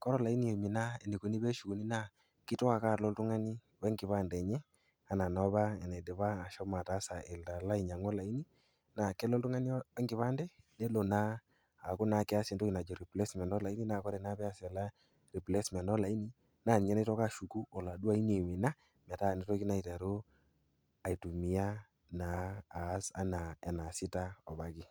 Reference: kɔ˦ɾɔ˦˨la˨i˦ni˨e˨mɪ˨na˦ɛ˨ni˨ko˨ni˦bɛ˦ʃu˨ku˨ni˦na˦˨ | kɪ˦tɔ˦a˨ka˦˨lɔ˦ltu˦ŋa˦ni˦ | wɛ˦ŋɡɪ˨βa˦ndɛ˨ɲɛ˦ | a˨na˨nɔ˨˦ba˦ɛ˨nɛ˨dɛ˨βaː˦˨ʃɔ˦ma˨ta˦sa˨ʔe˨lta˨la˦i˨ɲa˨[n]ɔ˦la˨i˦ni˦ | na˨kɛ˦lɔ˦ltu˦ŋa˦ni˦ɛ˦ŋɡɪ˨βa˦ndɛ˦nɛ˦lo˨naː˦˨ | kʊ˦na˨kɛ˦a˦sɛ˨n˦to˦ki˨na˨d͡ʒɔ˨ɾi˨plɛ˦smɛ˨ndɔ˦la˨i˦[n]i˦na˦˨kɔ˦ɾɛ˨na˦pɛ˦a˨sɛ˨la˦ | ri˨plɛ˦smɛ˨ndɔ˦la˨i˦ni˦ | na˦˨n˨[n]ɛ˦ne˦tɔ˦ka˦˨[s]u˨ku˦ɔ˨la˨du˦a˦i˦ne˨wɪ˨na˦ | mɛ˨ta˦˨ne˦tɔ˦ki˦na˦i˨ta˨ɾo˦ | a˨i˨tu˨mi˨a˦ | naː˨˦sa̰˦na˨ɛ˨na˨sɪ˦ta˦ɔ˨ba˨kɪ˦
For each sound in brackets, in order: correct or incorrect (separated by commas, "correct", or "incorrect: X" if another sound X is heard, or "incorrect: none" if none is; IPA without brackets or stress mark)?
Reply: incorrect: ŋ, correct, incorrect: ɲ, incorrect: ʃ